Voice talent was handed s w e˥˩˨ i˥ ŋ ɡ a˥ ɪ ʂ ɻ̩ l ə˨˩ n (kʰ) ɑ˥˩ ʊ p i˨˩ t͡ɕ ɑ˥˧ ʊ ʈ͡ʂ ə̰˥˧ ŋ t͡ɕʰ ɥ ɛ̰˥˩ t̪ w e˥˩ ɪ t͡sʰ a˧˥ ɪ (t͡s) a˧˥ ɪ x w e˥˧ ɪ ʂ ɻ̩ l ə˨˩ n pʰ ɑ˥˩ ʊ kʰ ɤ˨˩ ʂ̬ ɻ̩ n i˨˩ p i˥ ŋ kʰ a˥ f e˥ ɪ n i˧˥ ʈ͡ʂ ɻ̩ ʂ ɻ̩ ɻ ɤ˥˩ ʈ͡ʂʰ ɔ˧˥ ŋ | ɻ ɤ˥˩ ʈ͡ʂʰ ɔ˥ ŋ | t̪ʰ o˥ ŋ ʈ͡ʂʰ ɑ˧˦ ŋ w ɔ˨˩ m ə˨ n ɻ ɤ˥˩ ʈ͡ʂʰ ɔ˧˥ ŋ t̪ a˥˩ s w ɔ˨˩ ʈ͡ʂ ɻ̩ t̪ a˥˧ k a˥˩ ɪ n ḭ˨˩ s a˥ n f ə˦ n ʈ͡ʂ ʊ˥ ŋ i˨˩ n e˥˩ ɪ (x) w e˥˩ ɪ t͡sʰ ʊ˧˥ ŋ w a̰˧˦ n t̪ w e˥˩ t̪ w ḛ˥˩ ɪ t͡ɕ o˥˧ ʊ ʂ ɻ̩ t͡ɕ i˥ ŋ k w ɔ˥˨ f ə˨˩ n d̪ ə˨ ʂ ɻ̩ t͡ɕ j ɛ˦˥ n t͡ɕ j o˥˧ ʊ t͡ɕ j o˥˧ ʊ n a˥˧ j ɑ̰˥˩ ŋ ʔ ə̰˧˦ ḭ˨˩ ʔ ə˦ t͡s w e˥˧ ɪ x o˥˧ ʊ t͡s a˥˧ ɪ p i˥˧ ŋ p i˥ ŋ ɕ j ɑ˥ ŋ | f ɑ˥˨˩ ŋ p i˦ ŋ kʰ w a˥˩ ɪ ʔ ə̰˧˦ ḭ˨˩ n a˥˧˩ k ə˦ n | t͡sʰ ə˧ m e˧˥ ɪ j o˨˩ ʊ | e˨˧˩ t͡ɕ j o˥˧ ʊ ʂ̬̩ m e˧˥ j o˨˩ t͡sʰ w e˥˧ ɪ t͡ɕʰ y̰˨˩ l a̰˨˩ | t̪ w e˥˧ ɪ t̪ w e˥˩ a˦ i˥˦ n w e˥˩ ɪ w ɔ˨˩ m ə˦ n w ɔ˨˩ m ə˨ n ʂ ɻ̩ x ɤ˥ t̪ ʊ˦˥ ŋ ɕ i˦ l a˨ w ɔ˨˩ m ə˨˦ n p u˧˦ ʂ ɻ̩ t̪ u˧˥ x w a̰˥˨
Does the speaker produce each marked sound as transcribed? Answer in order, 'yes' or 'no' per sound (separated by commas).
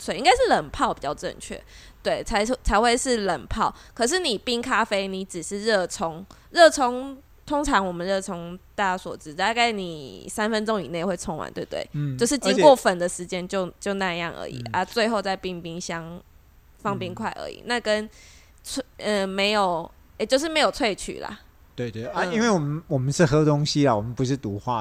no, no, yes